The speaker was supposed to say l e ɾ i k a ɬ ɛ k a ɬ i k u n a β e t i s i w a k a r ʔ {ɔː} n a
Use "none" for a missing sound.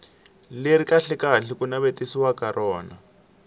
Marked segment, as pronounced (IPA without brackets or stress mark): ɔː